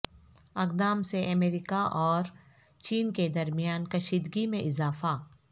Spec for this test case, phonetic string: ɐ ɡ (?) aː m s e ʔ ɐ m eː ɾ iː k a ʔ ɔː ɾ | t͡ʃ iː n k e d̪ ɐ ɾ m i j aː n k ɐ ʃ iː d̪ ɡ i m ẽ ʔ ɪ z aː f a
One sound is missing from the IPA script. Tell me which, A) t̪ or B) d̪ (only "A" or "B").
B